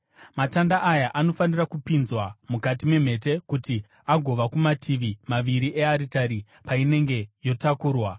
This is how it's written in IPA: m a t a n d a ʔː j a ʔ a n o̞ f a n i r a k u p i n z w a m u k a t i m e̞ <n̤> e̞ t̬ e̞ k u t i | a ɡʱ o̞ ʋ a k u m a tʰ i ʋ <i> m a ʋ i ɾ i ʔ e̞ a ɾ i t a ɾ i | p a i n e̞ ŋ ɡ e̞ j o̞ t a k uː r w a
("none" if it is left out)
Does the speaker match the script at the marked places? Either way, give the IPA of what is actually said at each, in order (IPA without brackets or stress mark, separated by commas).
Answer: m̤, i